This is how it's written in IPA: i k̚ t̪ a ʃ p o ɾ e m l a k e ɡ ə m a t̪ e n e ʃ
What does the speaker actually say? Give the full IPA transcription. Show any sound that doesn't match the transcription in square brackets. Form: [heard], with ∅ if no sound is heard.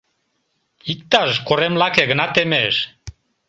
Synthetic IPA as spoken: i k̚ t̪ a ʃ [k] o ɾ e m l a k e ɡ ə [n] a t̪ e [m] e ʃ